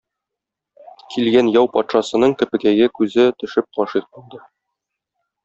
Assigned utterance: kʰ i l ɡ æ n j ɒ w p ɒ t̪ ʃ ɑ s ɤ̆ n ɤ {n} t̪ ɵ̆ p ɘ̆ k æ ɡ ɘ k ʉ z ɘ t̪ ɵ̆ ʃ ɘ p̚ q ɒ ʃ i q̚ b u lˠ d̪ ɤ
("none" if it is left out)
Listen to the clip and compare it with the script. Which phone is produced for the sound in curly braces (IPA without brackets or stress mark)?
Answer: ɴ